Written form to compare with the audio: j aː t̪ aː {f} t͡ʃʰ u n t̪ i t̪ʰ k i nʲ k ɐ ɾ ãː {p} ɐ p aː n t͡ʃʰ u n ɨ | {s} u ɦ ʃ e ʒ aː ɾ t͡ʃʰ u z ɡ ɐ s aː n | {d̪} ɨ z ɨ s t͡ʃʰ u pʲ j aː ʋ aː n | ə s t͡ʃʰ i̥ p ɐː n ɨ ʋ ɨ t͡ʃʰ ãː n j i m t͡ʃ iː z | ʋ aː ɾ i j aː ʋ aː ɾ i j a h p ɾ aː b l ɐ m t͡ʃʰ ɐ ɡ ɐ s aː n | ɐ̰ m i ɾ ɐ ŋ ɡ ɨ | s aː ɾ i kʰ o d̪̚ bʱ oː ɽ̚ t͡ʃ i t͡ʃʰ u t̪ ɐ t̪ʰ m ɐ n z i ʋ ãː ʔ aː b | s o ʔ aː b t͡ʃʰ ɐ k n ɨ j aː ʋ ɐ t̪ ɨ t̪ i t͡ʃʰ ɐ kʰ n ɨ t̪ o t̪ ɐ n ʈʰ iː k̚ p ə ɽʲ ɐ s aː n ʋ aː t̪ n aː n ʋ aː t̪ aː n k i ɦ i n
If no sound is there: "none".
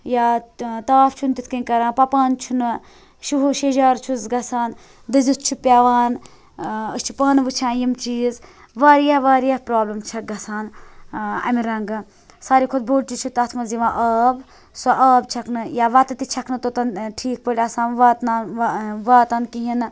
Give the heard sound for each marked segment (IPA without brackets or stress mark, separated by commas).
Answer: f, p, ʃ, d̪